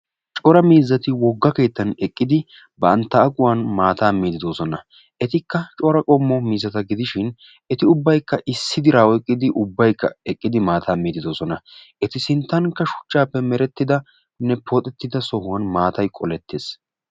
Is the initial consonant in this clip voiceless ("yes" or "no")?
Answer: yes